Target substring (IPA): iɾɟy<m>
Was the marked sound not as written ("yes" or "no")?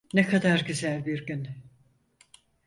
yes